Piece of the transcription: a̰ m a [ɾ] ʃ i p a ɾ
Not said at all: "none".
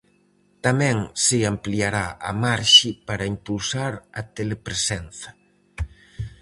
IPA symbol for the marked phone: ɾ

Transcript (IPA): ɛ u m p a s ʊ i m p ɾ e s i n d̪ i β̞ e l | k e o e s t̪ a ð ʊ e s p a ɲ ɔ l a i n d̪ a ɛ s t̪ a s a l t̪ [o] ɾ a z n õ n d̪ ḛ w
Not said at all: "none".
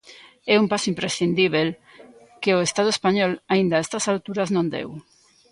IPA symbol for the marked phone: u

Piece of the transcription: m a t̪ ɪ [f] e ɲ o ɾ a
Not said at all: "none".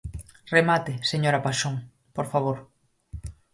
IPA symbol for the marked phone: s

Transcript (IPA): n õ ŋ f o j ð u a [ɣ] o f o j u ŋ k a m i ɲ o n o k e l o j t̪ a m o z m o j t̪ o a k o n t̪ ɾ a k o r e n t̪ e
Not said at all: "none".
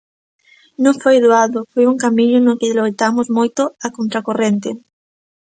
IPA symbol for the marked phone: ð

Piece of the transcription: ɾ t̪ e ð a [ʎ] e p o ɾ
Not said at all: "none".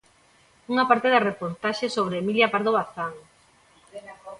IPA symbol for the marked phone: r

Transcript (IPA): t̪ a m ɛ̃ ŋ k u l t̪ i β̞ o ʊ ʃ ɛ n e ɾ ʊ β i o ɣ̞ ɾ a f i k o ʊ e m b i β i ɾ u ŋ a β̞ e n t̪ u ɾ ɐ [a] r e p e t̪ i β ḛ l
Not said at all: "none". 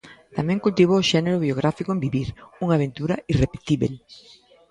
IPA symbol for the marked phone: i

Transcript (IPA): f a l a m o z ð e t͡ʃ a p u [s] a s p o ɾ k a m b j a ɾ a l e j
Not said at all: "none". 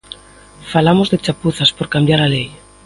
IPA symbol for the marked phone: θ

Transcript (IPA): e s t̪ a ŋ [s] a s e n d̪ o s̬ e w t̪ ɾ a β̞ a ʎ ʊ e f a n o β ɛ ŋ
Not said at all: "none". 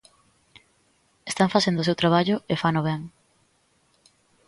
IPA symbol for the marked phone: f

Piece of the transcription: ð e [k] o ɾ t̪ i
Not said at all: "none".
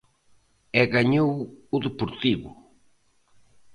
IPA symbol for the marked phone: p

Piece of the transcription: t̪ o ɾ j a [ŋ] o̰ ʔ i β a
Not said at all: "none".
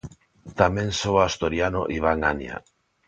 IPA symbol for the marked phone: n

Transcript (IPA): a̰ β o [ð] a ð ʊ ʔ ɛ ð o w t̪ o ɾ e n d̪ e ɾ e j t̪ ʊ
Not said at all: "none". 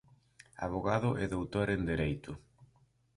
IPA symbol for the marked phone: ɣ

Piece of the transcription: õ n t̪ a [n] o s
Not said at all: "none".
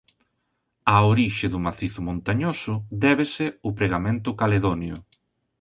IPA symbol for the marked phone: ɲ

